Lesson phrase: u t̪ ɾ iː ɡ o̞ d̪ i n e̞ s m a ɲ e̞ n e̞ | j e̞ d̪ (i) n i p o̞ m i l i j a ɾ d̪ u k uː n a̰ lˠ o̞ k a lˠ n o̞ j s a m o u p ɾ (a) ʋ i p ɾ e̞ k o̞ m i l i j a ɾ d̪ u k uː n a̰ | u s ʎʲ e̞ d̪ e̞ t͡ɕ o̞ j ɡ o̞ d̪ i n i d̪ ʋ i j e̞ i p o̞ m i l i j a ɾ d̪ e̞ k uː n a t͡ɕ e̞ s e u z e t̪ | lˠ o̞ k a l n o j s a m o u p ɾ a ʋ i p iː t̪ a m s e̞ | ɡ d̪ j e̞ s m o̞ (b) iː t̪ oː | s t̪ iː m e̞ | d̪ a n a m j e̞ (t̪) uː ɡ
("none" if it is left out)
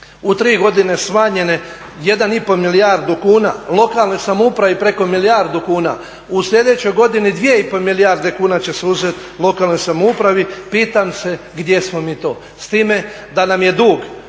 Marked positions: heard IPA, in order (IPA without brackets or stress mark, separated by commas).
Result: a, a, m, d̪